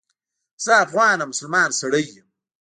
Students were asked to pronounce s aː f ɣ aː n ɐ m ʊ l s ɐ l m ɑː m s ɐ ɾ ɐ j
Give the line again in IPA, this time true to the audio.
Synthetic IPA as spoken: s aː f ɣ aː n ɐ m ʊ s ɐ l m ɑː n s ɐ ɽ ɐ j